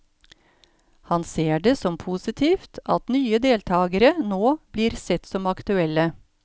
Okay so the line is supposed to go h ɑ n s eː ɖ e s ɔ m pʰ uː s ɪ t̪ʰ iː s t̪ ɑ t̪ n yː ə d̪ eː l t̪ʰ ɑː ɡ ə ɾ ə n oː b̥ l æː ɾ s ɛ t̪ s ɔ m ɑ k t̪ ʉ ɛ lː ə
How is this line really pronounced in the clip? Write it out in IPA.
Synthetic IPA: h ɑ n s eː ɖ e s ɔ m pʰ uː s ɪ t̪ʰ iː f t̪ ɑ t̪ n yː ə d̪ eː l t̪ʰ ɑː ɡ ə ɾ ə n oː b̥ l iː ɾ s ɛ t̪ s ɔ m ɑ k t̪ ʉ ɛ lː ə